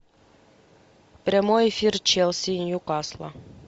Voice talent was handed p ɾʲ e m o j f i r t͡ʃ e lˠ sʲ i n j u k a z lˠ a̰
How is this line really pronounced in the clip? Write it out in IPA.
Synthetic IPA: p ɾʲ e m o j f i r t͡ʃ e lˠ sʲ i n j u k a s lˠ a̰